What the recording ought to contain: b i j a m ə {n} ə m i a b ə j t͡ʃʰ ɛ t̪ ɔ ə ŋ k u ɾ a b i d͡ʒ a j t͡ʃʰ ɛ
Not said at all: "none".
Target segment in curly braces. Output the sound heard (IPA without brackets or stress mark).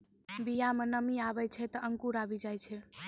n